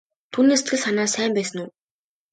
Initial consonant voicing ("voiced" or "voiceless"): voiceless